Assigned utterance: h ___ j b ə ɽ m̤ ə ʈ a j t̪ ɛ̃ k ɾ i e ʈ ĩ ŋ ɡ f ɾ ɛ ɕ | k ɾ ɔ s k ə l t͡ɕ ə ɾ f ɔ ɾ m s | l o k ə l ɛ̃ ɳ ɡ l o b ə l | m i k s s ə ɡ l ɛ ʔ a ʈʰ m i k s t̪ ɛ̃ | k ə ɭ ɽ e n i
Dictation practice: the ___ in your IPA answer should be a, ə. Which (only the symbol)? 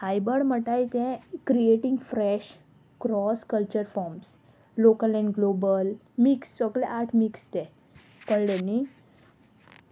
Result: a